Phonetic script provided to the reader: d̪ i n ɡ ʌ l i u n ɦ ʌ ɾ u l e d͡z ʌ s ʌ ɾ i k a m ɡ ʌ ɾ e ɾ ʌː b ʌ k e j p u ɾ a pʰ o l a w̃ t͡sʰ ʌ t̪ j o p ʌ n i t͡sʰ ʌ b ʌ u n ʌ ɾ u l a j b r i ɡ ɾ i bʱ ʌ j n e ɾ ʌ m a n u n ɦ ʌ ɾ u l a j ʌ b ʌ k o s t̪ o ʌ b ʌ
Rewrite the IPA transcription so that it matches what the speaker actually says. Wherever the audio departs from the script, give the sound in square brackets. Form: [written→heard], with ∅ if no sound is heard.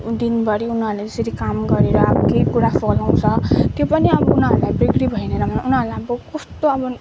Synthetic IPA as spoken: d̪ i n [ɡ→b] ʌ [l→ɾ] i u n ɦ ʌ ɾ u l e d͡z ʌ s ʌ ɾ i k a m ɡ ʌ ɾ e ɾ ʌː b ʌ k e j [p→k] u ɾ a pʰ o l a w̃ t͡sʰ ʌ t̪ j o p ʌ n i [t͡sʰ→∅] ʌ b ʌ u n ʌ ɾ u l a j b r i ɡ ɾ i bʱ ʌ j n e ɾ ʌ m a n u n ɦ ʌ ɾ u l a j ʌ b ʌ k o s t̪ o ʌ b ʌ